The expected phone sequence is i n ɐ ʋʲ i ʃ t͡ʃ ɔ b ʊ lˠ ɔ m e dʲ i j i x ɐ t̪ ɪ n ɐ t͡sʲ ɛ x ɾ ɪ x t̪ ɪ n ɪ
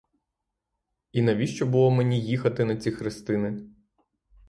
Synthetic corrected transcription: i n ɐ ʋʲ i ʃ t͡ʃ ɔ b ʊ lˠ ɔ m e nʲ i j i x ɐ t̪ ɪ n ɐ t͡sʲ i x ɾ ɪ s t̪ ɪ n ɪ